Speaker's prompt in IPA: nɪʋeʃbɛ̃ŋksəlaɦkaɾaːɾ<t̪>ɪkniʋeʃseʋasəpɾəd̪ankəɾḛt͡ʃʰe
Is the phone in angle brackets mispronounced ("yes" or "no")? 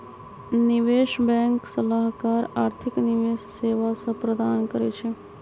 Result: yes